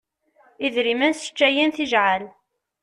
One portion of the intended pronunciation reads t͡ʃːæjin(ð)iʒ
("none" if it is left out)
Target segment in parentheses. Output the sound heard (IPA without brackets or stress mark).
θ